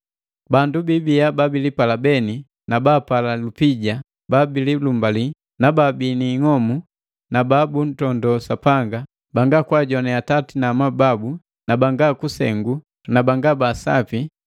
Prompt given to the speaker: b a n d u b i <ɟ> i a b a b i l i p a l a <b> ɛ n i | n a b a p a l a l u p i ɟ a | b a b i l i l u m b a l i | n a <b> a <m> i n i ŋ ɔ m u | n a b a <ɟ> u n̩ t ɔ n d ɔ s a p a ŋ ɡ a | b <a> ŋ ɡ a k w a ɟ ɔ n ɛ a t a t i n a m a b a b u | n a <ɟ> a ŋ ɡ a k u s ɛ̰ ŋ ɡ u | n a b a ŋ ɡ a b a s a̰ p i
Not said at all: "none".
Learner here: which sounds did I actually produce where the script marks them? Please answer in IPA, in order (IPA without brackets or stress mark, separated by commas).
b, b, b, b, b, a, b